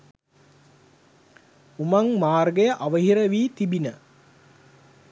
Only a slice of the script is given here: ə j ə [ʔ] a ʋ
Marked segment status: correct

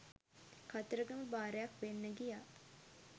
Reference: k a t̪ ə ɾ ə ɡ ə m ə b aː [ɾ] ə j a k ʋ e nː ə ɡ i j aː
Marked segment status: correct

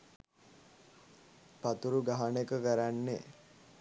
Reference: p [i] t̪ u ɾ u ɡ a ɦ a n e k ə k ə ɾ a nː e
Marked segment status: incorrect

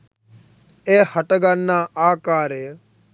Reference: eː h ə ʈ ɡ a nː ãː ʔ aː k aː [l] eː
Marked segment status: incorrect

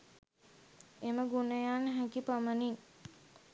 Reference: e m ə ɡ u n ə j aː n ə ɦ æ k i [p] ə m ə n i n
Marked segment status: correct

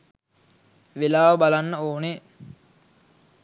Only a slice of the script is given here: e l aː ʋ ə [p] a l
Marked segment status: incorrect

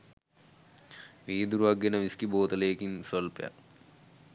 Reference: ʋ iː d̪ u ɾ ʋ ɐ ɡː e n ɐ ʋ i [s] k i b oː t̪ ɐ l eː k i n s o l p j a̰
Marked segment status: correct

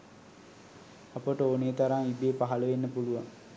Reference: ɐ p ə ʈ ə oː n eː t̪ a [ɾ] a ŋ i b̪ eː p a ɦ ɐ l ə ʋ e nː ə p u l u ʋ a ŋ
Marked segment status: correct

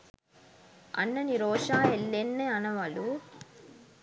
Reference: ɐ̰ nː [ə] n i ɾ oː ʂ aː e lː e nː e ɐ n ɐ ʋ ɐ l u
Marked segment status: incorrect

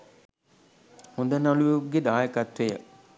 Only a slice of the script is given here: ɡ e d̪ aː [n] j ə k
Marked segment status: incorrect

